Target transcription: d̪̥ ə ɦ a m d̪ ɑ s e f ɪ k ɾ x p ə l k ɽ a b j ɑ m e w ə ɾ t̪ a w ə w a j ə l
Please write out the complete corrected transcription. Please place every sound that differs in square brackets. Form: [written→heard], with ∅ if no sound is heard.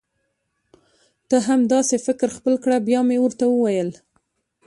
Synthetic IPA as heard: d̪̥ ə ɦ a m d̪ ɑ s e f ɪ k ɾ x p ə l k ɽ a b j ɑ m e w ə ɾ t̪ a w ə w a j ə l